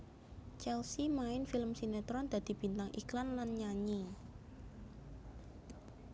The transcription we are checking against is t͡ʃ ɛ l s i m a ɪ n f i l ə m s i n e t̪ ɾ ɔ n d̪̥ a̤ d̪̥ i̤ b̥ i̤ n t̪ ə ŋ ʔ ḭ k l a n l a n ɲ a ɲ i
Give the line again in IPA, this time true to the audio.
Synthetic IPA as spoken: t͡ʃ ɛ l s i m a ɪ n f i l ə m s i n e t̪ ɾ ɔ n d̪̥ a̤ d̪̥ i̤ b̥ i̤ n t̪ a ŋ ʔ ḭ k l a n l a n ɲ a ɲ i